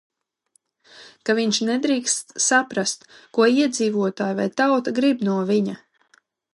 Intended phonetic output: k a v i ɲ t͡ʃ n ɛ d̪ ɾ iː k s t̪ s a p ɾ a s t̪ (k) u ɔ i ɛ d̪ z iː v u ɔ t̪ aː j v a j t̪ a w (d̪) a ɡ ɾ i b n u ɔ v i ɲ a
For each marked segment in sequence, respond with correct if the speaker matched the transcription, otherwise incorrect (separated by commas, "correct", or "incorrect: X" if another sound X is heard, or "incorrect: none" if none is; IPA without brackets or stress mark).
correct, incorrect: t̪